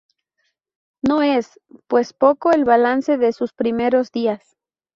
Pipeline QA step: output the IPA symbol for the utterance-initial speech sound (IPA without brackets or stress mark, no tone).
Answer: n